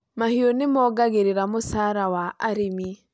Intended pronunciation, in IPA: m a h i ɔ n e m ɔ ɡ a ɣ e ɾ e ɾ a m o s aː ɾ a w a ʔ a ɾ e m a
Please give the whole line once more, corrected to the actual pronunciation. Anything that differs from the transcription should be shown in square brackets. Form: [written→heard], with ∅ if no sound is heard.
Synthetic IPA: m a h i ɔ n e m ɔ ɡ a ɣ e ɾ e ɾ a m o s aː ɾ a w a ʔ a ɾ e m [a→i]